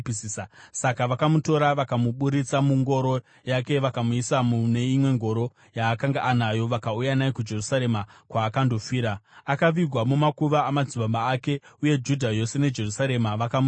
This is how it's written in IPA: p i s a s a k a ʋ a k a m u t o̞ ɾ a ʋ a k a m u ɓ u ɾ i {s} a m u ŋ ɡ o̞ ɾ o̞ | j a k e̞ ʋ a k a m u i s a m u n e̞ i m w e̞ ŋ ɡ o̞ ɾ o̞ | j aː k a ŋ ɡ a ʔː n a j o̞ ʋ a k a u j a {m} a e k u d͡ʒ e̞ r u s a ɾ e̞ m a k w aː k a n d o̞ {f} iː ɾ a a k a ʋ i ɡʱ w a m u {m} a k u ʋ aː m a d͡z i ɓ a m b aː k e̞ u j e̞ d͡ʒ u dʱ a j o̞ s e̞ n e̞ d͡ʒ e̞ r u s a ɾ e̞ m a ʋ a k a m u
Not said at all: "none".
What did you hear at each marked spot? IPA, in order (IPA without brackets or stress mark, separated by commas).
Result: t͡s, n, f, m